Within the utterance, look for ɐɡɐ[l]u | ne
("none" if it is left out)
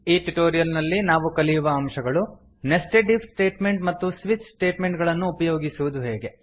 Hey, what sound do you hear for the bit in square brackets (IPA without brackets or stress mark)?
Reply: ɭ